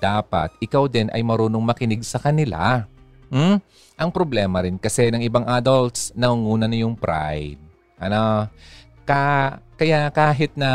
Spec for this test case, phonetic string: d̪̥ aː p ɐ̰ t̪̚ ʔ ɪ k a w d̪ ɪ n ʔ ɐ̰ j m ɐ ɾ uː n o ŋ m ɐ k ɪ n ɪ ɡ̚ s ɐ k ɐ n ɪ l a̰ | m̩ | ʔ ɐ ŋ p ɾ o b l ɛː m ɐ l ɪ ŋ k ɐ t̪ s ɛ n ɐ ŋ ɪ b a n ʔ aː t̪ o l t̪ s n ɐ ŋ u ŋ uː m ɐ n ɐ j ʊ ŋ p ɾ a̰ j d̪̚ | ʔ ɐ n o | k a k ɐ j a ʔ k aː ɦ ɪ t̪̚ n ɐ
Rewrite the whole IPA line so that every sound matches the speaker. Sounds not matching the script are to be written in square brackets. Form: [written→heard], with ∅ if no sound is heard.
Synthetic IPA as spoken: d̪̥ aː p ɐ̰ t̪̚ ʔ ɪ k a w d̪ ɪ n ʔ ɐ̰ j m ɐ ɾ uː n o ŋ m ɐ k ɪ n ɪ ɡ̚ s ɐ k ɐ n ɪ l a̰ | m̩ | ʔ ɐ ŋ p ɾ o b l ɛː m ɐ [l→ɾ] ɪ [ŋ→n] k ɐ [t̪→∅] s ɛ n ɐ ŋ ɪ b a [n→ŋ] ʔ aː [t̪→d̪] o l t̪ s n ɐ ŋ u ŋ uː [m→n] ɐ n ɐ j ʊ ŋ p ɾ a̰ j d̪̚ | ʔ ɐ n o | k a k ɐ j a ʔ k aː ɦ ɪ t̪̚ n ɐ